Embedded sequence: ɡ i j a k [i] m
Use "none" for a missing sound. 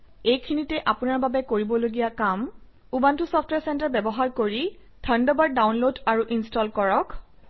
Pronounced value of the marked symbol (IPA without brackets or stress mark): a